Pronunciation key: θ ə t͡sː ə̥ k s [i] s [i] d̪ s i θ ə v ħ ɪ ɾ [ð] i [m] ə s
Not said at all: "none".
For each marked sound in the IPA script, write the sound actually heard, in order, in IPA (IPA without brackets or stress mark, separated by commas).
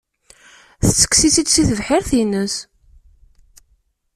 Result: i, i, θ, n